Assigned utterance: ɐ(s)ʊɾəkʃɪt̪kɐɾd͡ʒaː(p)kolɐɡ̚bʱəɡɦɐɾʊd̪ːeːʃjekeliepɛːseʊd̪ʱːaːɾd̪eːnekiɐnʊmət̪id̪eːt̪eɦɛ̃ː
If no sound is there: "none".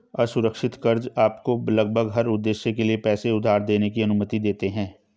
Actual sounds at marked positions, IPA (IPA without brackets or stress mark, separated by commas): s, p